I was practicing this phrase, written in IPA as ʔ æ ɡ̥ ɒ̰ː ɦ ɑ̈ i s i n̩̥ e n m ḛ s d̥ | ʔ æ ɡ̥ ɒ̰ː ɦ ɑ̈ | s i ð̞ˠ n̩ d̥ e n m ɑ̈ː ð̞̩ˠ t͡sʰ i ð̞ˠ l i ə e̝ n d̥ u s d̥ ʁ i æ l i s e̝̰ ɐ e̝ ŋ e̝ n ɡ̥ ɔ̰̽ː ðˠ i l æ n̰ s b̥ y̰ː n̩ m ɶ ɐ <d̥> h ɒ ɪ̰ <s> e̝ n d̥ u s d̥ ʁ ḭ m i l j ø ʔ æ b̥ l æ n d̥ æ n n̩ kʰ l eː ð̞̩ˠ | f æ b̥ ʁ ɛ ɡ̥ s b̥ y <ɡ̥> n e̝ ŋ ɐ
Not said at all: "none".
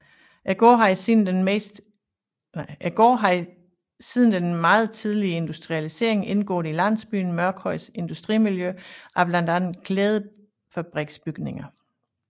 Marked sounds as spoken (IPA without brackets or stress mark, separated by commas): ɡ̥, s, ɡ̥